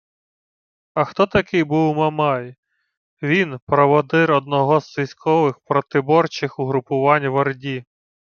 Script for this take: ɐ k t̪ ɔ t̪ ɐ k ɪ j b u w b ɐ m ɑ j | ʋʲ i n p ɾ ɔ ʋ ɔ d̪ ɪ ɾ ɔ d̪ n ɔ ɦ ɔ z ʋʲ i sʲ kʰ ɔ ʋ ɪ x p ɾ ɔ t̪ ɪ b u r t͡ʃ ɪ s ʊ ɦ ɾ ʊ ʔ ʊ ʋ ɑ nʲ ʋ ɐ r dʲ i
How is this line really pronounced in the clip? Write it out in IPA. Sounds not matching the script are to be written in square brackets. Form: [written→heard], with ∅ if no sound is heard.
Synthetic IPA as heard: ɐ [k→x] t̪ ɔ t̪ ɐ k ɪ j b u w [b→m] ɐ m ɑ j | ʋʲ i n p ɾ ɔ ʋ ɔ d̪ ɪ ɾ ɔ d̪ n ɔ ɦ ɔ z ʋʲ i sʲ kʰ ɔ ʋ ɪ x p ɾ ɔ t̪ ɪ b [u→ɔ] r t͡ʃ ɪ [s→x] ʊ ɦ ɾ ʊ [ʔ→p] ʊ ʋ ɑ nʲ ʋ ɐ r dʲ i

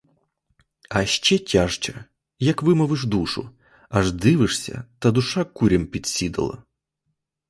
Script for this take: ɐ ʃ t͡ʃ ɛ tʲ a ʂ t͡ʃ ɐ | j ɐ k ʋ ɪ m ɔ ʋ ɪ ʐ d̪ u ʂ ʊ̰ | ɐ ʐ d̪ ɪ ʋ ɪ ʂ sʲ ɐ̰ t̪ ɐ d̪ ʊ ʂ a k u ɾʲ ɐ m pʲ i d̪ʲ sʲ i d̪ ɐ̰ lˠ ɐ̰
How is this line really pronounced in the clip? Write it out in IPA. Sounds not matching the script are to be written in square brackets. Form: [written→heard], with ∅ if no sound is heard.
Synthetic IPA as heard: ɐ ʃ t͡ʃ ɛ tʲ a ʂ t͡ʃ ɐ | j ɐ k ʋ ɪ m ɔ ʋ ɪ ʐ d̪ u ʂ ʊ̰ | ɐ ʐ d̪ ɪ ʋ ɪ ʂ sʲ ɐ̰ t̪ ɐ d̪ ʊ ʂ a k u ɾʲ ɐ m pʲ i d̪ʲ sʲ i d̪ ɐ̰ lˠ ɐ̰

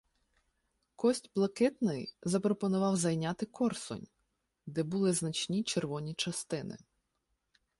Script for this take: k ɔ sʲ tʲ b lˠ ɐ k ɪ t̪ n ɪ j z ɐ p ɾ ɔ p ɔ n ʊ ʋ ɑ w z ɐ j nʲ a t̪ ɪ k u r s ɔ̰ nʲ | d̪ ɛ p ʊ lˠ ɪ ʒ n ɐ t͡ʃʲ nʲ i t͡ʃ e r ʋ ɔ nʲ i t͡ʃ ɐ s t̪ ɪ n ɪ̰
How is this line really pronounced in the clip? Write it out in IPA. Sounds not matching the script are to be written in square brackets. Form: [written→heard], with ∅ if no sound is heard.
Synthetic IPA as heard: k ɔ sʲ tʲ b lˠ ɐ k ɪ t̪ n ɪ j z ɐ p ɾ ɔ p ɔ n ʊ ʋ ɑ w z ɐ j nʲ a t̪ ɪ k [u→ɔ] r s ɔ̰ nʲ | d̪ ɛ [p→b] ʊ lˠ ɪ [ʒ→z] n ɐ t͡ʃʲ nʲ i t͡ʃ e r ʋ ɔ nʲ i t͡ʃ ɐ s t̪ ɪ n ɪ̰

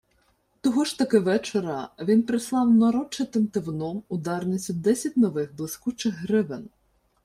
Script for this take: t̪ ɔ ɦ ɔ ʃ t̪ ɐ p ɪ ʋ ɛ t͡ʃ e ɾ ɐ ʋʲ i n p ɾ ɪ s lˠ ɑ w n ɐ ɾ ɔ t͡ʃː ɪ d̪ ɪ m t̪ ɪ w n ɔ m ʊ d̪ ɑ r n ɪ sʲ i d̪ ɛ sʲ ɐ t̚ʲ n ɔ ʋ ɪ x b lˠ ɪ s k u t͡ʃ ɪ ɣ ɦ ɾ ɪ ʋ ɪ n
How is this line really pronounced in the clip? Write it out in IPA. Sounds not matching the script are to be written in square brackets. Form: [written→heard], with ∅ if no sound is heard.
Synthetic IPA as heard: t̪ ɔ ɦ ɔ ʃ t̪ ɐ [p→k] ɪ ʋ ɛ t͡ʃ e ɾ ɐ ʋʲ i n p ɾ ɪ s lˠ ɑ w n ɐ ɾ ɔ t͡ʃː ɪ [d̪→t̪] ɪ m t̪ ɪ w n ɔ m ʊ d̪ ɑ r n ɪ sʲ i d̪ ɛ sʲ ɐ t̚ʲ n ɔ ʋ ɪ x b lˠ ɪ s k u t͡ʃ ɪ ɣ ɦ ɾ ɪ ʋ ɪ n

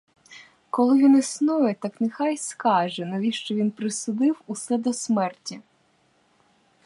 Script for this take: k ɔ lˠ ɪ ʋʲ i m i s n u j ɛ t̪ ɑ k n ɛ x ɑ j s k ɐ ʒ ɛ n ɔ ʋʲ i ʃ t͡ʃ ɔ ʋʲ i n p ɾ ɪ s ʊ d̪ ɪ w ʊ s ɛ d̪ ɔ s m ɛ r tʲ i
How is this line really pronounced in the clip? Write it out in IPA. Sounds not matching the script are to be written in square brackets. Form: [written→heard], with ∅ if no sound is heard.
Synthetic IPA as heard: k ɔ lˠ ɪ ʋʲ i [m→n] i s n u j ɛ t̪ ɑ k n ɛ x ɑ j s k [ɐ→ɑ] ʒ ɛ n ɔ ʋʲ i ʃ t͡ʃ ɔ ʋʲ i n p ɾ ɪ s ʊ d̪ ɪ w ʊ s ɛ d̪ ɔ s m ɛ r tʲ i

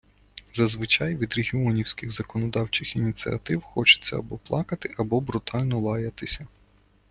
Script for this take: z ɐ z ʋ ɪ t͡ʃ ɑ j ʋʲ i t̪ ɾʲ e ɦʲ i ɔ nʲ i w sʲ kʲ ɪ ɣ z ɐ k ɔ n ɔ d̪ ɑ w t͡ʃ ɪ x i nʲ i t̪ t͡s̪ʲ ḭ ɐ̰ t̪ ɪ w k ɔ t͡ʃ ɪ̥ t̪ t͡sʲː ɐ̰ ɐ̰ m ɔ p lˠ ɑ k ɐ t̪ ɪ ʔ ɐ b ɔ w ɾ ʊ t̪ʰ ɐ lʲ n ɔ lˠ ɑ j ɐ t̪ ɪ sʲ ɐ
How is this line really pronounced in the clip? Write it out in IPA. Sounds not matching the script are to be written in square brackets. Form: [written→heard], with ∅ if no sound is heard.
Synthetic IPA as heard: z ɐ z ʋ ɪ t͡ʃ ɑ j ʋʲ i [t̪→d̪] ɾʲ e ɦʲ i ɔ nʲ i w sʲ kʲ ɪ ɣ z ɐ k ɔ n ɔ d̪ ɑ w t͡ʃ ɪ x i nʲ i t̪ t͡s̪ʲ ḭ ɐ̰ t̪ ɪ w [k→x] ɔ t͡ʃ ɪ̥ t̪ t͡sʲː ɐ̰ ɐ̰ [m→b] ɔ p lˠ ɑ k ɐ t̪ ɪ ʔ ɐ b ɔ [w→b] ɾ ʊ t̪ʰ [ɐ→ɑ] lʲ n ɔ lˠ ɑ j ɐ t̪ ɪ sʲ ɐ

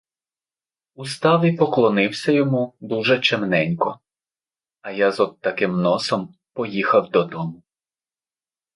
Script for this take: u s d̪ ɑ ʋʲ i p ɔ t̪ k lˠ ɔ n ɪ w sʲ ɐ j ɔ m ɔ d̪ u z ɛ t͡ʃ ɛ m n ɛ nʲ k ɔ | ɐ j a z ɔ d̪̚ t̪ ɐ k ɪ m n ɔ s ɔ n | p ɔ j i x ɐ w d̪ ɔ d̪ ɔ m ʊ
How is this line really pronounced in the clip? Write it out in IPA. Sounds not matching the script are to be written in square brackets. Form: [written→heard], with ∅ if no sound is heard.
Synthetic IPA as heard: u s [d̪→t̪] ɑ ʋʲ i p ɔ [t̪→∅] k lˠ ɔ n ɪ w sʲ ɐ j ɔ m [ɔ→u] d̪ u [z→ʒ] ɛ t͡ʃ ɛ m n ɛ nʲ k ɔ | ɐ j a z ɔ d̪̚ t̪ ɐ k ɪ m n ɔ s ɔ [n→m] | p ɔ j i x ɐ w d̪ ɔ d̪ ɔ m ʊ

